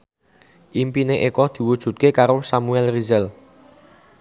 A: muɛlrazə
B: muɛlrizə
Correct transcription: B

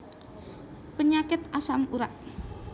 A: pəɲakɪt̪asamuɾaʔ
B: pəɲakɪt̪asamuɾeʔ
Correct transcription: A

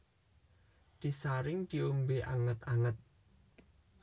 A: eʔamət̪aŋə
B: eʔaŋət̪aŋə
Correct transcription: B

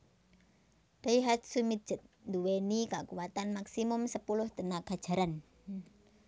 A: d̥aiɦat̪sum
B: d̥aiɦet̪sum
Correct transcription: A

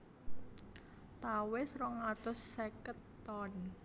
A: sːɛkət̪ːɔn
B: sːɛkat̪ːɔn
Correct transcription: A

